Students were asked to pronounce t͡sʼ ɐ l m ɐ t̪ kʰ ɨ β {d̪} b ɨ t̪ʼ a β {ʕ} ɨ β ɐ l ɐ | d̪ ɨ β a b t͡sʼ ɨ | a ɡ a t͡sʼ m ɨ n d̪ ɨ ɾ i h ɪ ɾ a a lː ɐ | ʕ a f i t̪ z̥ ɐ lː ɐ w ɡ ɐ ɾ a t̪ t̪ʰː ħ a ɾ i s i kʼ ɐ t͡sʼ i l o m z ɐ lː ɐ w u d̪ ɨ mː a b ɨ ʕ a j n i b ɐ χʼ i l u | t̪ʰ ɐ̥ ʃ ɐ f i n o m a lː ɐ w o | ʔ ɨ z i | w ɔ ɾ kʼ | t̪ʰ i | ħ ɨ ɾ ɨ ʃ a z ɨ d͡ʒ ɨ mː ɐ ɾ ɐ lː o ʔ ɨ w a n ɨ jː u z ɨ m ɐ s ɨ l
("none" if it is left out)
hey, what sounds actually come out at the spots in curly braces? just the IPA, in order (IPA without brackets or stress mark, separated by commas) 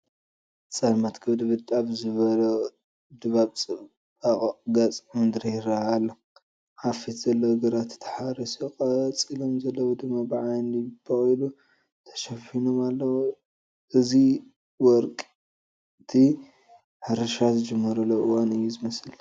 d̪, z